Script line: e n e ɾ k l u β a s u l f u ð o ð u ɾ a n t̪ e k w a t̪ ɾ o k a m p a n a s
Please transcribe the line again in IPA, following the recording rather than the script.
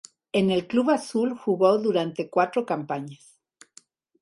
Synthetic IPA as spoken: e n e l k l u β a s u l x u ɣ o ð u ɾ a n t̪ e k w a t̪ ɾ o k a m p a ɲ a s